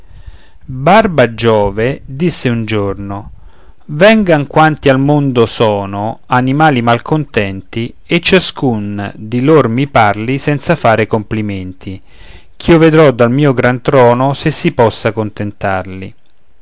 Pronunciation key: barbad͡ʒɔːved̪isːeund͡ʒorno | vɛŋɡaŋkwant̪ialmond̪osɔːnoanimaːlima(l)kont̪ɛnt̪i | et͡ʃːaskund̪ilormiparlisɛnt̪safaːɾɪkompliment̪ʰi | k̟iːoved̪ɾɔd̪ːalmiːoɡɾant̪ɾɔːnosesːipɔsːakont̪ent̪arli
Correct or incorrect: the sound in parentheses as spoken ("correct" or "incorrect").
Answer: correct